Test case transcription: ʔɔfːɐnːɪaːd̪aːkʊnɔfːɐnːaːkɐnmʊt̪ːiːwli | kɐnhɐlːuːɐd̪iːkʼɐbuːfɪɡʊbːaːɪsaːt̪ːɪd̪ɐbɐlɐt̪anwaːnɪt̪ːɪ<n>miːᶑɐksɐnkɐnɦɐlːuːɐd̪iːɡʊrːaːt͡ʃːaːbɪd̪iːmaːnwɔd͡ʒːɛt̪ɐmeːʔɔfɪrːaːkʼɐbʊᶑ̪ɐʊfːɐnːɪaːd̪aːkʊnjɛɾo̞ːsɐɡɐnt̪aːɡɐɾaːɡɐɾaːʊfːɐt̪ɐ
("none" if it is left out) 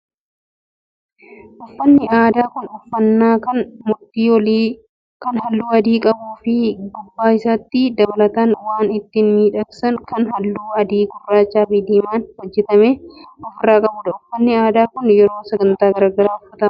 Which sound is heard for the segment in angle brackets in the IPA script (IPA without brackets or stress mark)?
n